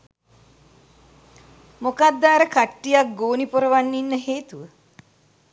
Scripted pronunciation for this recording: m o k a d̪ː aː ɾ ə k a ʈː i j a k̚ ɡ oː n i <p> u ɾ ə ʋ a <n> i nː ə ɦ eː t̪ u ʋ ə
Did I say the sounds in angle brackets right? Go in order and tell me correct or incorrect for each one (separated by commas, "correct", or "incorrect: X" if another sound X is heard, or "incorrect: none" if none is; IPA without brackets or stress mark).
correct, incorrect: nː